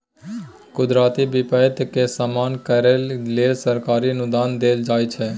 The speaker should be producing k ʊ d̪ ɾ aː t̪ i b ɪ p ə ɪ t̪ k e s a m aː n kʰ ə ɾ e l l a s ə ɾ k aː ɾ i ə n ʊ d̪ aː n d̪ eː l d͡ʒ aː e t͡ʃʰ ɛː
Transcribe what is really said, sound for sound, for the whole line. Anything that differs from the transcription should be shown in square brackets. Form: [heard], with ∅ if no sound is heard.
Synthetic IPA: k ʊ d̪ ɾ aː t̪ i b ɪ p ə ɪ t̪ k e s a m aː n [k] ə ɾ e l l [e] s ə ɾ k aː ɾ i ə n ʊ d̪ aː n d̪ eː l d͡ʒ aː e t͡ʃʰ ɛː